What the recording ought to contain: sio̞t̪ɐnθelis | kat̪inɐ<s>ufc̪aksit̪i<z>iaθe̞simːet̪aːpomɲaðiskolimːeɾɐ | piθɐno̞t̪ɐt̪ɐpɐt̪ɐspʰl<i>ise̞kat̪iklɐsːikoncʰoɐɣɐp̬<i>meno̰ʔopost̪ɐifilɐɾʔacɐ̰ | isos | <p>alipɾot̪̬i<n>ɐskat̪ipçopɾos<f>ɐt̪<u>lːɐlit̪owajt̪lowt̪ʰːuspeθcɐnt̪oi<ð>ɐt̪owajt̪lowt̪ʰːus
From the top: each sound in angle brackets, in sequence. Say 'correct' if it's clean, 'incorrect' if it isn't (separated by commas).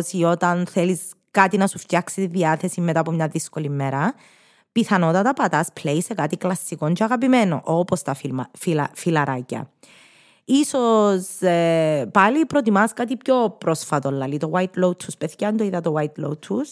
correct, incorrect, incorrect, correct, correct, incorrect, correct, incorrect, correct